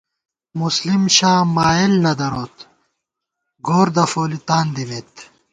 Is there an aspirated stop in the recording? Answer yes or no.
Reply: no